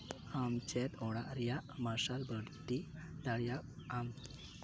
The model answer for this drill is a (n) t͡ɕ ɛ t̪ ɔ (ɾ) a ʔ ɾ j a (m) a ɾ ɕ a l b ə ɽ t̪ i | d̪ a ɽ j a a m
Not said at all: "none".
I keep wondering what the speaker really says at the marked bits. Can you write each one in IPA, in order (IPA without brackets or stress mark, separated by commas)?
m, ɽ, m